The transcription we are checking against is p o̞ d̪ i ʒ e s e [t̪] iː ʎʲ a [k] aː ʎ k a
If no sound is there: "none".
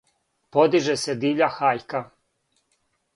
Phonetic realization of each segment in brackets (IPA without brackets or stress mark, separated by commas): d̪, x